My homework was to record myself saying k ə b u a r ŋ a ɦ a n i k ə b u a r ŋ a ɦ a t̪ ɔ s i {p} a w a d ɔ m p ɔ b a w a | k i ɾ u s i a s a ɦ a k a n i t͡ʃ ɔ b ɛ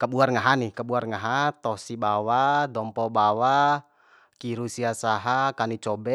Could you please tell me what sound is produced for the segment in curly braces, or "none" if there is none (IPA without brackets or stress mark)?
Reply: b